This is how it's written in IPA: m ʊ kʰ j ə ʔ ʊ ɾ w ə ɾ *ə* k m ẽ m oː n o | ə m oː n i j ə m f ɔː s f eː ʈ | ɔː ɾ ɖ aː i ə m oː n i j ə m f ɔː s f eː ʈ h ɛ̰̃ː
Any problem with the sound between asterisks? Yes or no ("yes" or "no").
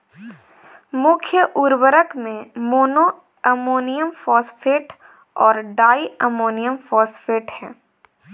no